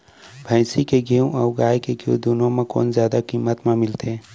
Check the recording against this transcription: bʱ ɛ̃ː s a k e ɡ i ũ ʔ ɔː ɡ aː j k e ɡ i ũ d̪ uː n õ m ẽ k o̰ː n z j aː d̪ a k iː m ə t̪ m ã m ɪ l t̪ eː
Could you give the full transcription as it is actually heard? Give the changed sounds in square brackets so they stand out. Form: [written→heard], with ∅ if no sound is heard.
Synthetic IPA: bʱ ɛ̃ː s [a→i] k e ɡ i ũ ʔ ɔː ɡ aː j k e ɡ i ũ d̪ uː n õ m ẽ k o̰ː n z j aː d̪ a k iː m ə t̪ m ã m ɪ l t̪ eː